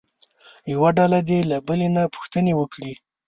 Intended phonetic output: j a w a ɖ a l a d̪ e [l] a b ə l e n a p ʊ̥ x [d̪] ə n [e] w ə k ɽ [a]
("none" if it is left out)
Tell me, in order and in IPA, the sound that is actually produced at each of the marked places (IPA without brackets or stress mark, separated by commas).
l, t̪, e, i